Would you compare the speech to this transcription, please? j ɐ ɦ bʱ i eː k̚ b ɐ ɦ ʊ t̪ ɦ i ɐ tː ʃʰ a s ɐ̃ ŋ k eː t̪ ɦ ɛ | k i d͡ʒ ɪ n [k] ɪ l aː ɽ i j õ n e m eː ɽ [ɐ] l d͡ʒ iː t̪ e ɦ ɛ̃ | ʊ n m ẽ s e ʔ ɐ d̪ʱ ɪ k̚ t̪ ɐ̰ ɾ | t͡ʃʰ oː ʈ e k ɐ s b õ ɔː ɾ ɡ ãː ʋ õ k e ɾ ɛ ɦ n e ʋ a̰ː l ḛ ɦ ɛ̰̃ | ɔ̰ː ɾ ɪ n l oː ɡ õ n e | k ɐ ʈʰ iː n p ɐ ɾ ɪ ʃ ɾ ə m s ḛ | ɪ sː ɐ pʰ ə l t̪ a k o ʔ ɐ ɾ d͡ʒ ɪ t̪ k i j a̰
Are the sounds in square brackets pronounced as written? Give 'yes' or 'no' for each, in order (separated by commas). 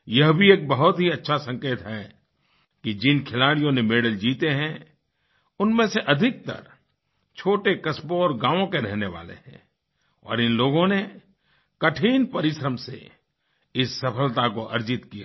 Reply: no, no